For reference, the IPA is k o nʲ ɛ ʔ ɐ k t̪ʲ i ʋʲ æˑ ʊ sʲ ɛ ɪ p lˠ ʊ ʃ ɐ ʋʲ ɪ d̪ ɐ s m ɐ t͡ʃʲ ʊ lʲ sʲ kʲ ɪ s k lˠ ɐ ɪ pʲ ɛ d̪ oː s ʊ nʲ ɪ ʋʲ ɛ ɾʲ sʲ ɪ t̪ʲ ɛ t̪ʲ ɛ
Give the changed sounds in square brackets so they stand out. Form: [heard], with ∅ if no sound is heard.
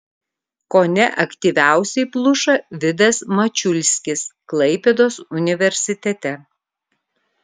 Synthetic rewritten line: k o nʲ ɛ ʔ ɐ k t̪ʲ i ʋʲ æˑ ʊ sʲ ɛ ɪ p lˠ ʊ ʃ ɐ ʋʲ ɪ d̪ ɐ s m ɐ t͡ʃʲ ʊ lʲ sʲ kʲ ɪ s k lˠ ɐ ɪ pʲ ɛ d̪ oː s ʊ nʲ ɪ ʋʲ ɛ ɾʲ sʲ ɪ t̪ʲ ɛ t̪ʲ ɛ